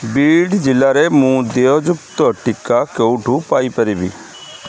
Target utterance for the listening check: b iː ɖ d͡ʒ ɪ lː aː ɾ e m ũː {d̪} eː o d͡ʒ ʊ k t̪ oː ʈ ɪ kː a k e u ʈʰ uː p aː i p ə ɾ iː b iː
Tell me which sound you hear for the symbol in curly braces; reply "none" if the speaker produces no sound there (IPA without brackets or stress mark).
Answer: d̪